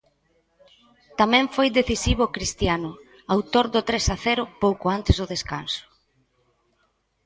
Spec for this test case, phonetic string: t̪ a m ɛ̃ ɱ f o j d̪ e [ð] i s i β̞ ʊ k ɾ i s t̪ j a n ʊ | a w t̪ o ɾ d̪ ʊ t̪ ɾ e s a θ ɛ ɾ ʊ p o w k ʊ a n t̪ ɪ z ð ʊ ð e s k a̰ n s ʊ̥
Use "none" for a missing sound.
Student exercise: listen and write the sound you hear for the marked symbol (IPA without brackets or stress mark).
θ